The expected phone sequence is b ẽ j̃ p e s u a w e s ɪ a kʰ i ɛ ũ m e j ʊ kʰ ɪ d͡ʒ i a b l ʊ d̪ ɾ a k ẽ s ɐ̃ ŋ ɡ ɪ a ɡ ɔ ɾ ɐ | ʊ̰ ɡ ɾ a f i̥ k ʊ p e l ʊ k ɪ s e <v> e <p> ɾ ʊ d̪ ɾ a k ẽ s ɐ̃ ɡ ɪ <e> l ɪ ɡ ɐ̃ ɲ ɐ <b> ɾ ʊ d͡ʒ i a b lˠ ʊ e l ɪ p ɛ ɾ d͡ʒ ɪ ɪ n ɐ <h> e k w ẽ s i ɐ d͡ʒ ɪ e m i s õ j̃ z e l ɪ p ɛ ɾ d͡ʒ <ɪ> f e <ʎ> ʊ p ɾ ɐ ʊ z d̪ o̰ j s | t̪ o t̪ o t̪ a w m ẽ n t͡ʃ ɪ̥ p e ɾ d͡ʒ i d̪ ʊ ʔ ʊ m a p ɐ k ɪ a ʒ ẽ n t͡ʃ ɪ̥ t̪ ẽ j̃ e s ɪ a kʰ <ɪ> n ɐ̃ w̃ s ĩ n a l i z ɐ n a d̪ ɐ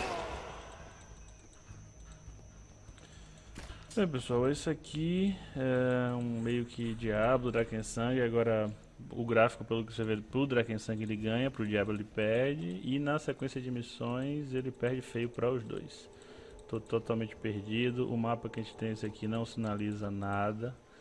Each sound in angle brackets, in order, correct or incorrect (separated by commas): correct, correct, correct, incorrect, incorrect, correct, incorrect, incorrect